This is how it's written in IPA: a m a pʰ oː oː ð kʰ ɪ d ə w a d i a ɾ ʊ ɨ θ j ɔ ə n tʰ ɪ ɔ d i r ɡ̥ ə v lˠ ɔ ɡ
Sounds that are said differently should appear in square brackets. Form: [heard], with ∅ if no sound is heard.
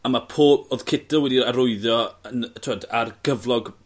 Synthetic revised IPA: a m a pʰ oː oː ð kʰ ɪ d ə w [ɛ] d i a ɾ ʊ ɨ [ð] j ɔ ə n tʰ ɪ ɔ d [a] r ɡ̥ ə v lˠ ɔ ɡ